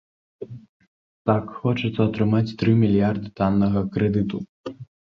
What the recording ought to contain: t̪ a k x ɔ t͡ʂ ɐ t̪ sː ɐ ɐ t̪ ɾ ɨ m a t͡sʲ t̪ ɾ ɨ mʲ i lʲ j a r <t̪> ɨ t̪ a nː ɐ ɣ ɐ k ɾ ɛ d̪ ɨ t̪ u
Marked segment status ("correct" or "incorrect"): incorrect